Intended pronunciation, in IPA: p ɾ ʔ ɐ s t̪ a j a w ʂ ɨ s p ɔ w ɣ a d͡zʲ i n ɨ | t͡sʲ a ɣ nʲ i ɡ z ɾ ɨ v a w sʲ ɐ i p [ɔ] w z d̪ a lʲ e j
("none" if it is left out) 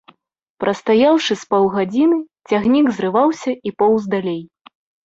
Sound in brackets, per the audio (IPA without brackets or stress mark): ɔ